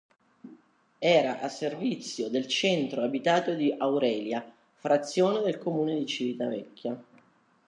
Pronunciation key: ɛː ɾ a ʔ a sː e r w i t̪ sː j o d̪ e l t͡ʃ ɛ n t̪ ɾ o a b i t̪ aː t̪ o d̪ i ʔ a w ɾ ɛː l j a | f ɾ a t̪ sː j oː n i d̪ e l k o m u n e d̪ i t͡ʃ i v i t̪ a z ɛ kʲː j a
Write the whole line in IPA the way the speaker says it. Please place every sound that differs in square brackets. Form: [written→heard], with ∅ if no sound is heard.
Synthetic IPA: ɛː ɾ a ʔ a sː e r [w→v] i t̪ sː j o d̪ e l t͡ʃ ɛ n t̪ ɾ o a b i t̪ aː t̪ o d̪ i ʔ a w ɾ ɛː l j a | f ɾ a t̪ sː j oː n [i→e] d̪ e l k o m [u→uː] n e d̪ i t͡ʃ i v i t̪ a [z→v] ɛ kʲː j a